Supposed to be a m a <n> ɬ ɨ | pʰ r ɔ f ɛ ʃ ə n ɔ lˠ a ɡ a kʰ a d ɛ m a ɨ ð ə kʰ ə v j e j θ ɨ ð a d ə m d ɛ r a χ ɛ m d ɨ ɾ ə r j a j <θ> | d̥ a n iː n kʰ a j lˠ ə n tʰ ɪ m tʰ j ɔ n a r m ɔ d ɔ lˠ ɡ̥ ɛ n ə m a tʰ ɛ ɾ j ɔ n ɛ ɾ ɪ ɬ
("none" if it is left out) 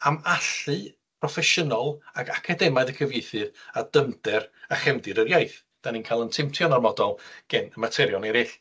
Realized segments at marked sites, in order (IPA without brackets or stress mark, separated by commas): none, θ